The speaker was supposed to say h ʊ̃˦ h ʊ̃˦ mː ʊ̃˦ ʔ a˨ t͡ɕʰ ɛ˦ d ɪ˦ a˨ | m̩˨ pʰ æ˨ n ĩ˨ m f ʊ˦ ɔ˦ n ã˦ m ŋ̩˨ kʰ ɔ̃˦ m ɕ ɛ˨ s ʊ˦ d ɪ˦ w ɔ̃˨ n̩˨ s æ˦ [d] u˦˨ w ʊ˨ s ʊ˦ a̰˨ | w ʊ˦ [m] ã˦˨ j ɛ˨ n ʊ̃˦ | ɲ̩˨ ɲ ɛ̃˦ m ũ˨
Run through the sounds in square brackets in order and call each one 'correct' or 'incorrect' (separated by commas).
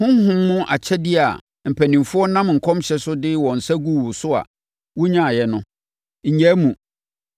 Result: incorrect, incorrect